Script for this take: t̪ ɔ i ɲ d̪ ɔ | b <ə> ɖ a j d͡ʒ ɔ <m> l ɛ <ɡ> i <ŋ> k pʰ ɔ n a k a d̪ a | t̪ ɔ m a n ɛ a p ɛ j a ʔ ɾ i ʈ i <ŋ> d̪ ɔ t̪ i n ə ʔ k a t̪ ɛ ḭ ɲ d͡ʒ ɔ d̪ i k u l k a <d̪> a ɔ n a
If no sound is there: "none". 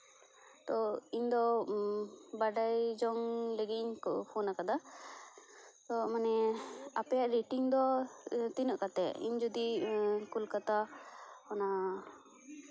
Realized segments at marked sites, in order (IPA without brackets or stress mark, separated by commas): a, ŋ, ɡ, ɲ, ŋ, t̪